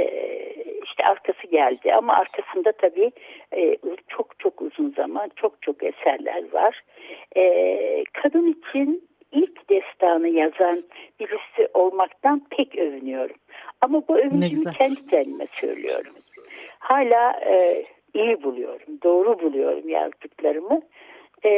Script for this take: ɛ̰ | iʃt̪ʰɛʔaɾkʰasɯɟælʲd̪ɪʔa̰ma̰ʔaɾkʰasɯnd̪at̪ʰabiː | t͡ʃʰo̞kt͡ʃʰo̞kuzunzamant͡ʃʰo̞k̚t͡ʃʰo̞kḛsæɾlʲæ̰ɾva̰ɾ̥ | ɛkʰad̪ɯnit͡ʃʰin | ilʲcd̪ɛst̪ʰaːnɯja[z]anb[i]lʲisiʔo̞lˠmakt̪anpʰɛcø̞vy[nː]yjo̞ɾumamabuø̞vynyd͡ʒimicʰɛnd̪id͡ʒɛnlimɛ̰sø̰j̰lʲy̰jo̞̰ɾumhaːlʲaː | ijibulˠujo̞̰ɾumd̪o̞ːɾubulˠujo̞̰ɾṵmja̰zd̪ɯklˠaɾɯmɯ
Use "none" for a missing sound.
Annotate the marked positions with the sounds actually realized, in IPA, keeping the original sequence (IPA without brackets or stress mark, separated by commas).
z, i, n